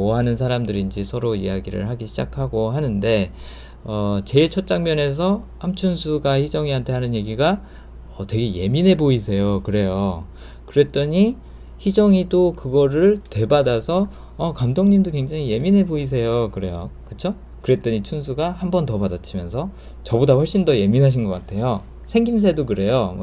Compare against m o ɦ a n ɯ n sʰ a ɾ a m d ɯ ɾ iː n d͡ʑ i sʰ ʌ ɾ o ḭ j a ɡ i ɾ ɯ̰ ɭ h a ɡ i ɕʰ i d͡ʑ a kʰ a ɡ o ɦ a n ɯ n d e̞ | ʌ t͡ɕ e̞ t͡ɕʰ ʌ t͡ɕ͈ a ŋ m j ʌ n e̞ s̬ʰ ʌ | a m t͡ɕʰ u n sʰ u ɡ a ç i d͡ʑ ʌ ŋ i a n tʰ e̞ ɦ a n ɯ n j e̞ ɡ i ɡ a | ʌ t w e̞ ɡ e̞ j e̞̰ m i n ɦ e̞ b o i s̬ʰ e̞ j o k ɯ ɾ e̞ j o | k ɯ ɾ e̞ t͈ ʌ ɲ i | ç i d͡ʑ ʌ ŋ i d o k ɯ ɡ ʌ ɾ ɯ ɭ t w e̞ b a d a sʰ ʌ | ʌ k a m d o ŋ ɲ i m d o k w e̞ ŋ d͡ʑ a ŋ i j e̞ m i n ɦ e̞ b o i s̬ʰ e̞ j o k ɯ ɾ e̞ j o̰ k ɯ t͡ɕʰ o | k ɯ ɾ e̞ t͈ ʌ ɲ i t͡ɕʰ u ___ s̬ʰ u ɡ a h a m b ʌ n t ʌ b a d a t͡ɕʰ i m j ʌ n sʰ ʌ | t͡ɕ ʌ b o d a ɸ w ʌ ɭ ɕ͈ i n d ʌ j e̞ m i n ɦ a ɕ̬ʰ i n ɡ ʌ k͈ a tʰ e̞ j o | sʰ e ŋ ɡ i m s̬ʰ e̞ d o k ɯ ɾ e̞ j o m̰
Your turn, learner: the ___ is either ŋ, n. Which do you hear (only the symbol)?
n